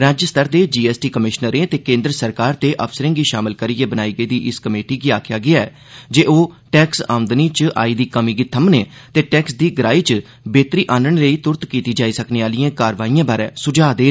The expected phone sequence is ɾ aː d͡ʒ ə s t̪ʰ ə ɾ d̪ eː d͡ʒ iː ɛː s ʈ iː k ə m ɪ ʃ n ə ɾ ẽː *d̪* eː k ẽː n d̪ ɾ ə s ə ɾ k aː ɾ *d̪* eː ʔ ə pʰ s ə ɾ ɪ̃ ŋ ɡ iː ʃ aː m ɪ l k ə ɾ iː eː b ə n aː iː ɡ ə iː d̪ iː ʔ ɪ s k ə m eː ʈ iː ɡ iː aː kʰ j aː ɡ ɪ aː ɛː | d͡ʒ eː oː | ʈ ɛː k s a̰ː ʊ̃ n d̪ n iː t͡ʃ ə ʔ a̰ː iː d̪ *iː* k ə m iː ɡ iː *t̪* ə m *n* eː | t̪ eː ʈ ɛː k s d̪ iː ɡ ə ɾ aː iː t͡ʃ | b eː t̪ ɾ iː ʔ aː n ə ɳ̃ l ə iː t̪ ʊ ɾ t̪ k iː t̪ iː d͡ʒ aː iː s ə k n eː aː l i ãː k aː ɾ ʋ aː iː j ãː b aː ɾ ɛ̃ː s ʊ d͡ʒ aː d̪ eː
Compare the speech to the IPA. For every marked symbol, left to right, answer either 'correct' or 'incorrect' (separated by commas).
incorrect, incorrect, correct, incorrect, correct